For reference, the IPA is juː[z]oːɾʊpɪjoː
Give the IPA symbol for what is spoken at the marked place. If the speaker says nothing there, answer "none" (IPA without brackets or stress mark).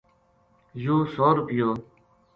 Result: s